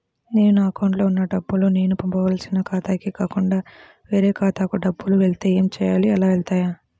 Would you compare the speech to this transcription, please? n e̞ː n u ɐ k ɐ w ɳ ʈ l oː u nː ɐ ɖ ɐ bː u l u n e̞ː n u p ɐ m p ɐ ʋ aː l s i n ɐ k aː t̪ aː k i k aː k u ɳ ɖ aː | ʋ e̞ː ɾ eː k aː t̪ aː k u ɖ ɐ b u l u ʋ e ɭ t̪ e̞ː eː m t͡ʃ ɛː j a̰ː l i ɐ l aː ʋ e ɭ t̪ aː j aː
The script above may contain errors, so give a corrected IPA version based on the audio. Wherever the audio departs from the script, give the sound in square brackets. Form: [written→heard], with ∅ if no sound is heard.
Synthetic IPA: n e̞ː n u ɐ k ɐ w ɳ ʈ l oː u nː ɐ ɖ ɐ bː u l u n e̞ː n u p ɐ m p ɐ ʋ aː l s i n ɐ k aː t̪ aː k i k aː k u ɳ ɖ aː | ʋ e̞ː ɾ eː k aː t̪ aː k u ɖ ɐ [b→bː] u l u ʋ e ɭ t̪ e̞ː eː m t͡ʃ ɛː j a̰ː l i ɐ l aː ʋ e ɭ t̪ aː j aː